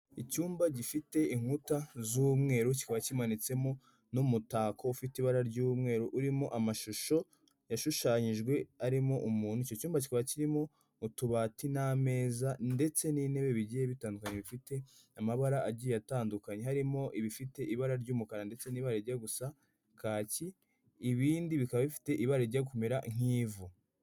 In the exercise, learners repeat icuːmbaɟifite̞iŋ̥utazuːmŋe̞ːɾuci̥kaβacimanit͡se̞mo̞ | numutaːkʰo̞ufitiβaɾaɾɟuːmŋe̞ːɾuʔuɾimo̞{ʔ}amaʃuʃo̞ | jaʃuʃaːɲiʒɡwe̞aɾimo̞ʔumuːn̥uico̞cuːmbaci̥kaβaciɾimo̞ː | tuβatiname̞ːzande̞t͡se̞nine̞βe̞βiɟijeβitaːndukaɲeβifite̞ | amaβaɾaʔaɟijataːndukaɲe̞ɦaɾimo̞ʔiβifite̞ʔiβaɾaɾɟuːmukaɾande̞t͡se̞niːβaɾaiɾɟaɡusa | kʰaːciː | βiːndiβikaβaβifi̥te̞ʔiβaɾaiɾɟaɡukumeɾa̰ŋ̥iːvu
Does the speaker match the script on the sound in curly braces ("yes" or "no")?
yes